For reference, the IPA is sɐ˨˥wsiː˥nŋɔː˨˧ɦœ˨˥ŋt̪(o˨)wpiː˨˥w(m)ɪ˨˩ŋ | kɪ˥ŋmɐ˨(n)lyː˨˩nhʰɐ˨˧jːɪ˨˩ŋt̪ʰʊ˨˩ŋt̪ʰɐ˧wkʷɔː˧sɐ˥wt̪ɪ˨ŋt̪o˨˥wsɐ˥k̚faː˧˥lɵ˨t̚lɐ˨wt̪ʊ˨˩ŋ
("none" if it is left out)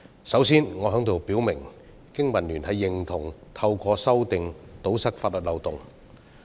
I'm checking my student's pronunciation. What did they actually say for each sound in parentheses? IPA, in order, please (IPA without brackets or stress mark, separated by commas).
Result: o˨, m, n